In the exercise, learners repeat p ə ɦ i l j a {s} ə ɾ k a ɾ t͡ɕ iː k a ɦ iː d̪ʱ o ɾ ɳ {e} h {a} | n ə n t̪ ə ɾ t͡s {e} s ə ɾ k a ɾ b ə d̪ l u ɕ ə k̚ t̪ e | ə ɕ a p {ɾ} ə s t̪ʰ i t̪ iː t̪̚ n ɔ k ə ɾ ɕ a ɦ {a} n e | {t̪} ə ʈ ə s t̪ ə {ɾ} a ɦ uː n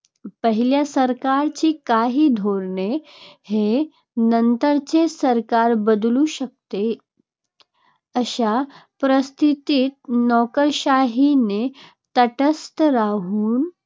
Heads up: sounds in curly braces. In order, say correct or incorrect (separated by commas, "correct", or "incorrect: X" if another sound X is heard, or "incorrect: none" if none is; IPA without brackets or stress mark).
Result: correct, correct, incorrect: e, correct, correct, incorrect: i, correct, correct